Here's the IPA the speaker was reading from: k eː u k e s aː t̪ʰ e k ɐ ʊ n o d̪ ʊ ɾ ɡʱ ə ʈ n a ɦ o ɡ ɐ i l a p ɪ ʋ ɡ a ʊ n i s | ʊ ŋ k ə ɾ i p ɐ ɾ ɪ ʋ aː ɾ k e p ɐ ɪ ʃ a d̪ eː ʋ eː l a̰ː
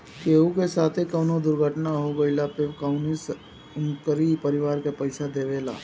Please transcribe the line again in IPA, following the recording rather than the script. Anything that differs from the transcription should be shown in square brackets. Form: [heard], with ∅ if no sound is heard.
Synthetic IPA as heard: k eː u k e s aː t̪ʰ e k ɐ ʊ n o d̪ ʊ ɾ ɡʱ ə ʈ n a ɦ o ɡ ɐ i l a p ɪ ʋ [k] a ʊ n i s | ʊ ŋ k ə ɾ i p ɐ ɾ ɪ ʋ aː ɾ k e p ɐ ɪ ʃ a d̪ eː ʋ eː l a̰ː